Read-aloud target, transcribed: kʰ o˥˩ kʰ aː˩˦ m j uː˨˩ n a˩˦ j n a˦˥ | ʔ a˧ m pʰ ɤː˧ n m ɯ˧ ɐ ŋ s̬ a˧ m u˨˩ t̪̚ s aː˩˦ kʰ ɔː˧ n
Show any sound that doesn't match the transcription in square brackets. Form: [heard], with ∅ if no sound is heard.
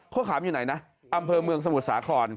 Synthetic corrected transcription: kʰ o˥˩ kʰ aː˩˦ m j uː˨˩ n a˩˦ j n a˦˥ | ʔ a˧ m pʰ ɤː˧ [∅] m ɯ˧ [ə] ŋ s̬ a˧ m u˨˩ t̪̚ s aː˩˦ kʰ ɔː˧ n